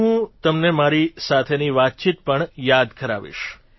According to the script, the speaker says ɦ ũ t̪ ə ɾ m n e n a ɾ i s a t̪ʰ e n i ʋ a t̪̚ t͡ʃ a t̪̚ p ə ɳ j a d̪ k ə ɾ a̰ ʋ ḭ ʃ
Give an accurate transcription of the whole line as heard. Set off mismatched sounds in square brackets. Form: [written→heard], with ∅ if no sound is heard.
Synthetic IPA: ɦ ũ t̪ ə [ɾ→∅] m n e [n→m] a ɾ i s a t̪ʰ e n i ʋ a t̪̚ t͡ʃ [a→i] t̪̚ p ə ɳ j a d̪ k ə ɾ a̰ ʋ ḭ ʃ